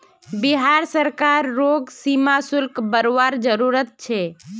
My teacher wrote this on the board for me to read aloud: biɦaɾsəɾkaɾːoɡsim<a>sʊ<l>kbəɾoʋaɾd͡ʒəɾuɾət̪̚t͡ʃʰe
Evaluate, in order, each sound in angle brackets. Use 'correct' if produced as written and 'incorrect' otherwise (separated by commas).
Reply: correct, correct